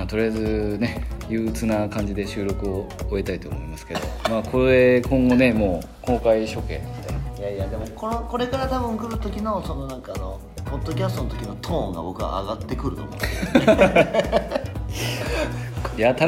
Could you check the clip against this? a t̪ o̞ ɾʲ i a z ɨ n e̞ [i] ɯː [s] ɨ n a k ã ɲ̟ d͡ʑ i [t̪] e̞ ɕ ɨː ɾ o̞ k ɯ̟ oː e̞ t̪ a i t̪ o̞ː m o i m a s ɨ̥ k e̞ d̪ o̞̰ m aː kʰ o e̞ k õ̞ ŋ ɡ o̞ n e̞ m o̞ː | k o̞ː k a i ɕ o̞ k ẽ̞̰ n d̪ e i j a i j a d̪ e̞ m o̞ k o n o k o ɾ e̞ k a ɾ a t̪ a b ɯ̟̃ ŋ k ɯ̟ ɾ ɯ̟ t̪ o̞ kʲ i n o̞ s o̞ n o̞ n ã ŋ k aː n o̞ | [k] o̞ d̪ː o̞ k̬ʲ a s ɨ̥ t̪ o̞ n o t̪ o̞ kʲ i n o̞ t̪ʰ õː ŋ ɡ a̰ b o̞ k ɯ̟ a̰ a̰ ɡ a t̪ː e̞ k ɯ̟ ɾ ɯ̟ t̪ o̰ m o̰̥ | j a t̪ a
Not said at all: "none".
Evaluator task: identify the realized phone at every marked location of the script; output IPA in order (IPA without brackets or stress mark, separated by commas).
j, t͡s, d̪, p